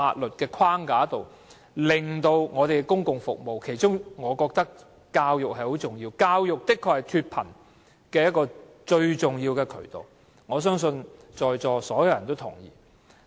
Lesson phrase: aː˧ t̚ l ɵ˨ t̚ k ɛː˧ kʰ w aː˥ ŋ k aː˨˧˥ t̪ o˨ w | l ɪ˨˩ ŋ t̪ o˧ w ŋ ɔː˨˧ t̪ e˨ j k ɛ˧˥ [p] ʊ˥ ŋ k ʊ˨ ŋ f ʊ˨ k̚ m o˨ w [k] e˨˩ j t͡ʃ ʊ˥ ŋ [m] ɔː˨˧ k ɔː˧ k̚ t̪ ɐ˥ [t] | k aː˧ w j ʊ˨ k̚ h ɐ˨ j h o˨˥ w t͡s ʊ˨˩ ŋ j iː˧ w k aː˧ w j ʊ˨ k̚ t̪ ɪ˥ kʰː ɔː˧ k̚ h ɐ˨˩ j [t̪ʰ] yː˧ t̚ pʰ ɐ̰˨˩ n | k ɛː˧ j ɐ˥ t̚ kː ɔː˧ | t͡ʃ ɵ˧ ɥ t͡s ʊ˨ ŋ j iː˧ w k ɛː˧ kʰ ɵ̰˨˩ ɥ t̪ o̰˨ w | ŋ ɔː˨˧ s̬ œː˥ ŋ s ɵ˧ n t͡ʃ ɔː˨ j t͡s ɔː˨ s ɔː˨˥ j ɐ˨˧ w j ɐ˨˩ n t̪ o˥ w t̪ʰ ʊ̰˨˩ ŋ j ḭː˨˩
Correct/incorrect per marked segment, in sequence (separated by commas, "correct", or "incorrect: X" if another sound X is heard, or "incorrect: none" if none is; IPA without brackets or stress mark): incorrect: k, incorrect: kʰ, incorrect: ŋ, incorrect: k, correct